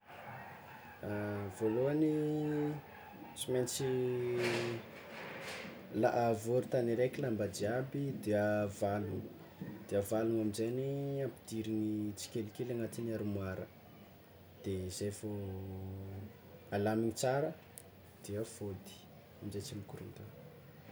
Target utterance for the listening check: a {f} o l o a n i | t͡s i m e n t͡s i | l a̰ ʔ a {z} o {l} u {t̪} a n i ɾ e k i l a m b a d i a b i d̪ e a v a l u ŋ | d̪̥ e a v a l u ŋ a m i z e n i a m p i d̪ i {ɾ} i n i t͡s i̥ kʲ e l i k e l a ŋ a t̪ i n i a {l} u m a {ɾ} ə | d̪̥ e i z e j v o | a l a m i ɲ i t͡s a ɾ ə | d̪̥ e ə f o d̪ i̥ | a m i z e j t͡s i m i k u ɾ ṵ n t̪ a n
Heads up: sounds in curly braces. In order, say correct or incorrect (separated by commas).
incorrect, incorrect, incorrect, correct, correct, incorrect, correct